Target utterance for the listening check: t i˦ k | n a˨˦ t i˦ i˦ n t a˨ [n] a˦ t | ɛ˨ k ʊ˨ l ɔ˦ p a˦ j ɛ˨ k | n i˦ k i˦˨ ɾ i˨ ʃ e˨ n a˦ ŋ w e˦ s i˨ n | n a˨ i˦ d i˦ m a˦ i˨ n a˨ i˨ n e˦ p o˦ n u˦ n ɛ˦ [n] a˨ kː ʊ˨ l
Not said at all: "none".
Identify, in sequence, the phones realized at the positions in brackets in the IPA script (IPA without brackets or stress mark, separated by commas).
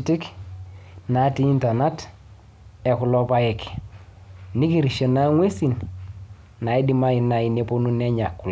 n, ɲ